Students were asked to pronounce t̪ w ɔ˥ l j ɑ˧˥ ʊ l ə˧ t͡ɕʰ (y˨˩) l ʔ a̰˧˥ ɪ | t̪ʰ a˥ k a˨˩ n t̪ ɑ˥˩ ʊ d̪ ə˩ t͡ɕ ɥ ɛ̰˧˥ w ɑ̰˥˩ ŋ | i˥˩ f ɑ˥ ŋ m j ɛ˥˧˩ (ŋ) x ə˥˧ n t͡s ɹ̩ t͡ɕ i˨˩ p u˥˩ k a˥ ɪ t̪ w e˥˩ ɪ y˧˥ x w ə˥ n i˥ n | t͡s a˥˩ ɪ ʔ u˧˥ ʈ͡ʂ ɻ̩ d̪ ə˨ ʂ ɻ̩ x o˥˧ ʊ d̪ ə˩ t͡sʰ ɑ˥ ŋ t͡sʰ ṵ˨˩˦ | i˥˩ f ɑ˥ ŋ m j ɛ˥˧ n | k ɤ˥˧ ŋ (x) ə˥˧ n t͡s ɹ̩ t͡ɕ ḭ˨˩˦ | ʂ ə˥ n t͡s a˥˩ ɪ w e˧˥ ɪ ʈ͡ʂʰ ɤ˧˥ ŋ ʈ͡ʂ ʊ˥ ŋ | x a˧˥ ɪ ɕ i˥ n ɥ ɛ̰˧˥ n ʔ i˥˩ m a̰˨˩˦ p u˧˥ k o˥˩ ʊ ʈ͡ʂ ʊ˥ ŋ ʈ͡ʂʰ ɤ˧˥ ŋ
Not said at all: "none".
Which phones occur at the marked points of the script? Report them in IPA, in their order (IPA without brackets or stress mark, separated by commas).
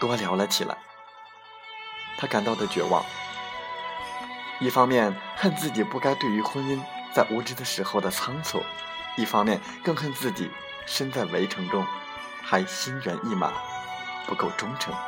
i˨˩, n, x